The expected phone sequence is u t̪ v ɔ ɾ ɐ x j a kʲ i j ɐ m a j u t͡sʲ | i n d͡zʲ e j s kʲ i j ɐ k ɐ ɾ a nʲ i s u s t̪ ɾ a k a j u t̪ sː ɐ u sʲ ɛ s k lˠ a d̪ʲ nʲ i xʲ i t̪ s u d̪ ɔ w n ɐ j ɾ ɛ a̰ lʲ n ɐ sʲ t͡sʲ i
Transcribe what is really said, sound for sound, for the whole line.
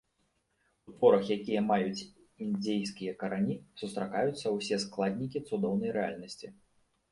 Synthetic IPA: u t̪ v ɔ ɾ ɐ x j a kʲ i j ɐ m a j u t͡sʲ | i n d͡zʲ e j s kʲ i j ɐ k ɐ ɾ a nʲ i s u s t̪ ɾ a k a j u t̪ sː ɐ w sʲ ɛ s k lˠ a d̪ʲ nʲ i kʲ i t̪ s u d̪ ɔ w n ɐ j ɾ ɛ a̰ lʲ n ɐ sʲ t͡sʲ i